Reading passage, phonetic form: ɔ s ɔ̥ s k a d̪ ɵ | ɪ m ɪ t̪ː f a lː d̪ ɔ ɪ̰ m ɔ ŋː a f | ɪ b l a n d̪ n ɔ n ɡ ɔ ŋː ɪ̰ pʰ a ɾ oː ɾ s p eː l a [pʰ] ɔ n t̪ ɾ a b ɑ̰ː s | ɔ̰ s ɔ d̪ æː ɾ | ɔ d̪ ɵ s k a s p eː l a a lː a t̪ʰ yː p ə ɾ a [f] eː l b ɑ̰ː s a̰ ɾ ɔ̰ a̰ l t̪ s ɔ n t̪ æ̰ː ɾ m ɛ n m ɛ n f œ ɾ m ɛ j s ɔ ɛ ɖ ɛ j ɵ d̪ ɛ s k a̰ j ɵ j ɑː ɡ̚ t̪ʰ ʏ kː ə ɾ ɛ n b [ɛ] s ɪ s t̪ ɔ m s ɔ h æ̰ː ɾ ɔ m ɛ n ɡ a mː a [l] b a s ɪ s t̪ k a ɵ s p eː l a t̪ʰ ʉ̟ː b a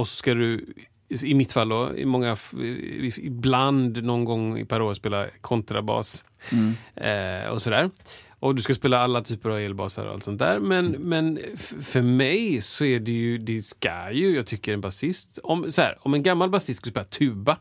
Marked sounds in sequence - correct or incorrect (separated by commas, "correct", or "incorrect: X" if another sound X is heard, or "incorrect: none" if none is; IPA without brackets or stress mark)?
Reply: incorrect: kʰ, incorrect: v, incorrect: a, correct